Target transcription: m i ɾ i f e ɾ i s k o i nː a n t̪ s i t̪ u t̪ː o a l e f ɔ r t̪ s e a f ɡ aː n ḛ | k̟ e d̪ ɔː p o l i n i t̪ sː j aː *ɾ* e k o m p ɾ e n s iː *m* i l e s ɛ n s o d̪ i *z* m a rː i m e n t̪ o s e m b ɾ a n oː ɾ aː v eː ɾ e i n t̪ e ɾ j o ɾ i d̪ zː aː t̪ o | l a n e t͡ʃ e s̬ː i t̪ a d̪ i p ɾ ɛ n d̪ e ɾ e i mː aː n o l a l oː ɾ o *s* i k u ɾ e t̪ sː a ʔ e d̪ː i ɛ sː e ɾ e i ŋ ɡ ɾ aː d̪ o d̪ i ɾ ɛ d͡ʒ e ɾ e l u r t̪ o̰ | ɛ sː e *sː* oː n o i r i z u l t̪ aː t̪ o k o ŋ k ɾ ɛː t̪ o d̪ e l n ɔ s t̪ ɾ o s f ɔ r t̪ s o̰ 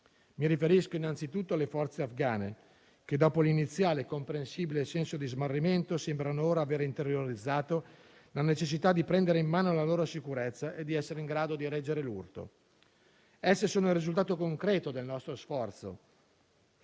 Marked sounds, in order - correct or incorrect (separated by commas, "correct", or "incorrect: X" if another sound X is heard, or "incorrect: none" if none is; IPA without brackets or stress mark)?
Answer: incorrect: l, incorrect: b, correct, correct, incorrect: s